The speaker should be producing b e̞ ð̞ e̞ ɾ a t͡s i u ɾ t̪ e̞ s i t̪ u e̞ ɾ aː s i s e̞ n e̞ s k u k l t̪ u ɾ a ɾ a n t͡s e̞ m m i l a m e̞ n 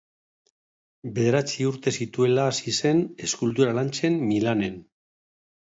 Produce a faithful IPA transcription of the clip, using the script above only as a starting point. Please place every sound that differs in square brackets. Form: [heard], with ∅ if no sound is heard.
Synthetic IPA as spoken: b e̞ ð̞ e̞ ɾ a t͡s i u ɾ t̪ e̞ s i t̪ u e̞ [l] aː s i s e̞ n e̞ s k u [∅] l t̪ u ɾ a [l] a n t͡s e̞ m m i l a [n] e̞ n